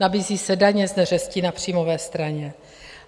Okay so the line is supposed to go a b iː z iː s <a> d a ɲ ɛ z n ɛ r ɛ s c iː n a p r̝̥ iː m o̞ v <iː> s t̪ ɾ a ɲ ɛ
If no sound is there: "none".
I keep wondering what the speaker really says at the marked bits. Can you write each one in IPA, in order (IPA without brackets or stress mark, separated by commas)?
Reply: ɛ, ɛː